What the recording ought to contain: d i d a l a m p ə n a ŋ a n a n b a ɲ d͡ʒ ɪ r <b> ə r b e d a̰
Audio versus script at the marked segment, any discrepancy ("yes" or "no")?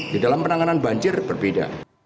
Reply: no